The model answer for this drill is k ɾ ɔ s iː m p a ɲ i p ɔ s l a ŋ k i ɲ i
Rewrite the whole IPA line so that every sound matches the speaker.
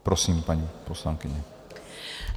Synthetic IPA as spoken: p ɾ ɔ s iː m p a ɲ i p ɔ s l a ŋ k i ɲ ɛ